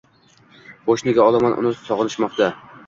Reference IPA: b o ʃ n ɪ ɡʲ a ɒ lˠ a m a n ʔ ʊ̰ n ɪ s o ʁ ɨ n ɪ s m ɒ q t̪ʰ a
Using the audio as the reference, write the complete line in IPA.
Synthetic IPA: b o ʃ n ɪ ɡʲ a ɒ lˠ a m a n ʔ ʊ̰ n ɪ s ɒ ʁ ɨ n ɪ ʃ m ɒ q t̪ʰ a